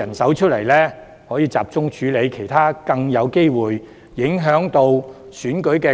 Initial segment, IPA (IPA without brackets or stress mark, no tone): ɐ